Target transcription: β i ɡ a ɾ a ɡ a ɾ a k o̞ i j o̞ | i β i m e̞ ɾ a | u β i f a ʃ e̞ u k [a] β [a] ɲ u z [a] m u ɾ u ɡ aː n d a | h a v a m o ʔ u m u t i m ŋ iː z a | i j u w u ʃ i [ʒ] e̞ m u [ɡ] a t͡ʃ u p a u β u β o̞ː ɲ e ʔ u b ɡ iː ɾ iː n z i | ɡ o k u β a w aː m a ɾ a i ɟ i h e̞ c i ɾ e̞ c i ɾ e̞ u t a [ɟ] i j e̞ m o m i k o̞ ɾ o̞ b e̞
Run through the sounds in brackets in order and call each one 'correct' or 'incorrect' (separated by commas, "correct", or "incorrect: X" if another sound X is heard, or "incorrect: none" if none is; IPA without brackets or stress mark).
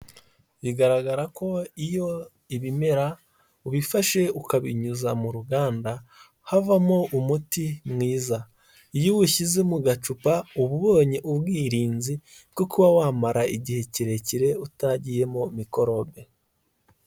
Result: correct, incorrect: i, correct, incorrect: z, correct, correct